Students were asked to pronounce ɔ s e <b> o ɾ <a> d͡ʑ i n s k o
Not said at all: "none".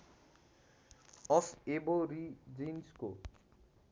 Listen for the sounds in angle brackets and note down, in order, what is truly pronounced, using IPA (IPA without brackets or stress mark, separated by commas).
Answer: b, i